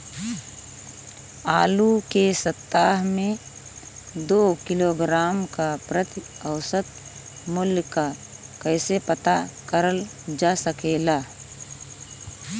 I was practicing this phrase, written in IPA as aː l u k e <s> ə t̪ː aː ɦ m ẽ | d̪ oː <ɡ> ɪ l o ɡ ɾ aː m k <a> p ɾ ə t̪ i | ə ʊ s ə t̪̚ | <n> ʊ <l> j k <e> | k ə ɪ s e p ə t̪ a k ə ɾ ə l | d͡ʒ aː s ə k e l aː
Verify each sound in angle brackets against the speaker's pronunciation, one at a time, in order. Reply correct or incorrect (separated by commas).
correct, incorrect, correct, incorrect, correct, incorrect